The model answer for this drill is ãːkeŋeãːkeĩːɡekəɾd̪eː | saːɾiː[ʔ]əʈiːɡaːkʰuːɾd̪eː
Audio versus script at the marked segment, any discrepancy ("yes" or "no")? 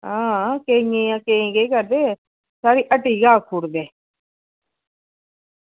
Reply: no